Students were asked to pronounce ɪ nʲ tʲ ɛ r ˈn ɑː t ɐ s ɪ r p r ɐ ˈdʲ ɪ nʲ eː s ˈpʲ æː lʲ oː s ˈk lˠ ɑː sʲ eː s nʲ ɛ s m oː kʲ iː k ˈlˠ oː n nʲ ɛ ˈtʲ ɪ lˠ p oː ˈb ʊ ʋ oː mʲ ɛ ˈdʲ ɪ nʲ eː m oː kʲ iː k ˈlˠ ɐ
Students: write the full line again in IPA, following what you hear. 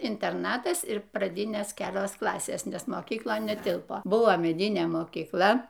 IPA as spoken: ɪ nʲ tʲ ɛ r ˈn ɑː t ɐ s ɪ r p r ɐ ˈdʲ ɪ nʲ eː s ˈkʲ æː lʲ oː s ˈk lˠ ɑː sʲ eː s nʲ ɛ s m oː kʲ iː k ˈlˠ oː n nʲ ɛ ˈtʲ ɪ lˠ p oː ˈb ʊ ʋ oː mʲ ɛ ˈdʲ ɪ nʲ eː m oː kʲ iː k ˈlˠ ɐ